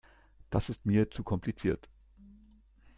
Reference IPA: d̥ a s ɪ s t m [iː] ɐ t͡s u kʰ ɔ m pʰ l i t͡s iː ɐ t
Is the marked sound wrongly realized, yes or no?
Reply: no